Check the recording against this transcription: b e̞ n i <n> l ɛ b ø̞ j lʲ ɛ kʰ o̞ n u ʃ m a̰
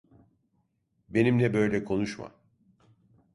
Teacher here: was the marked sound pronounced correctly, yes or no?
no